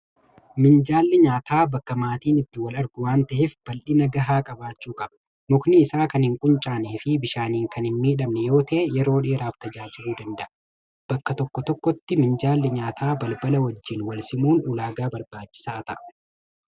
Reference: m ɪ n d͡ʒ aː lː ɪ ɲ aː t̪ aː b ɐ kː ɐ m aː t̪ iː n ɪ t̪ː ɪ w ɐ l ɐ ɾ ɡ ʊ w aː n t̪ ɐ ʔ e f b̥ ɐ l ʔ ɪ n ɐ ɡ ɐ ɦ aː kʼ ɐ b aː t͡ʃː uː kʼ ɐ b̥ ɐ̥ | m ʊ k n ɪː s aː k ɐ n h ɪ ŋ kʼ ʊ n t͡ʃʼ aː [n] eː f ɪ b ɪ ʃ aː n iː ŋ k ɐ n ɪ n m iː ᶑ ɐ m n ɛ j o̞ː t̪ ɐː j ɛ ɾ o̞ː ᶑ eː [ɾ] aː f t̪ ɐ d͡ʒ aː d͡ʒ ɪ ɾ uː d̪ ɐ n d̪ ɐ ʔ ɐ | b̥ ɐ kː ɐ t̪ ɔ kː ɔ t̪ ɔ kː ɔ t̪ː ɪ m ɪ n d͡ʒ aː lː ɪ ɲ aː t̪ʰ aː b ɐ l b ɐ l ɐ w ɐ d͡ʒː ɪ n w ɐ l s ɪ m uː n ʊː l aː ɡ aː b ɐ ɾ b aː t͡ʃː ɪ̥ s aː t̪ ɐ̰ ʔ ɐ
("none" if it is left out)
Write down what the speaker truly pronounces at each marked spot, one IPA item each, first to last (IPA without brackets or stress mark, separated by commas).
n, ɾ